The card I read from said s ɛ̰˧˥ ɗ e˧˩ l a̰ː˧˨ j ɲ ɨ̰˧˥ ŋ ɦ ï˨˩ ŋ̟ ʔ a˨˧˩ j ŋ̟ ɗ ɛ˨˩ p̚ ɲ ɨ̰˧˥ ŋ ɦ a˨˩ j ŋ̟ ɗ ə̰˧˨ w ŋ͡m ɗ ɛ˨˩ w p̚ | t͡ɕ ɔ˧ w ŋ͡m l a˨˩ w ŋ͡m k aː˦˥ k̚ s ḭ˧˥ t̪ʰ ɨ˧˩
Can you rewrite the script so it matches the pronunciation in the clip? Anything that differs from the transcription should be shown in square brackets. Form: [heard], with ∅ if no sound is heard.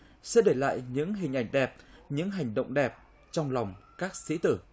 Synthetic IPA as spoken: s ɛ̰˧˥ ɗ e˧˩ l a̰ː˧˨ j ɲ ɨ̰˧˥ ŋ ɦ ï˨˩ ŋ̟ ʔ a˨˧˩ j ŋ̟ ɗ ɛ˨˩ p̚ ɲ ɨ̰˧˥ ŋ ɦ a˨˩ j ŋ̟ ɗ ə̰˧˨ w ŋ͡m ɗ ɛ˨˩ [∅] p̚ | t͡ɕ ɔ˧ w ŋ͡m l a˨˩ w ŋ͡m k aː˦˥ k̚ s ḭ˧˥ [t̪] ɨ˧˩